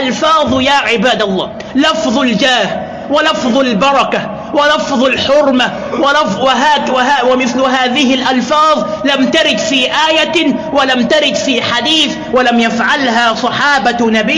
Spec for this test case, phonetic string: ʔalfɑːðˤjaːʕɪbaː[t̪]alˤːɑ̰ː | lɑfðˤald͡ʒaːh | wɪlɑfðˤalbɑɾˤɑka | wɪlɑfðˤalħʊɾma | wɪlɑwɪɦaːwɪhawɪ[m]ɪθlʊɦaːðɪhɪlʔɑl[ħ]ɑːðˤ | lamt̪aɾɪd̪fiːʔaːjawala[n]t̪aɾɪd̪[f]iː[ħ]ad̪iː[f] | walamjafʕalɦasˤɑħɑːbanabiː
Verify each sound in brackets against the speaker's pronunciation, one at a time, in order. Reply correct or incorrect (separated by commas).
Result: incorrect, correct, incorrect, incorrect, correct, correct, incorrect